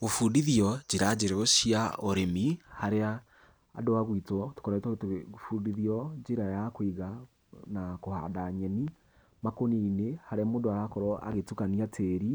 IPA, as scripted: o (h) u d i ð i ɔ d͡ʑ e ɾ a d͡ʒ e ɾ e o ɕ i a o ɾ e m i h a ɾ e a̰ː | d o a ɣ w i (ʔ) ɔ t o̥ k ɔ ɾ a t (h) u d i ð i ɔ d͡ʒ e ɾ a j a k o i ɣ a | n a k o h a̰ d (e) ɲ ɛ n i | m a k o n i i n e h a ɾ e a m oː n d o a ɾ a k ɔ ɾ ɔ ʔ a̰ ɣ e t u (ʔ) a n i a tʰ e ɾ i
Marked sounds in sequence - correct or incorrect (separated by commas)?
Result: incorrect, incorrect, incorrect, incorrect, incorrect